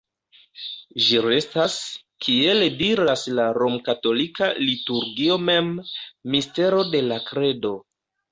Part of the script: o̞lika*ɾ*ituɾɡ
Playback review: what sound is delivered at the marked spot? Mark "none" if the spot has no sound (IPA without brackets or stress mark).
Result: l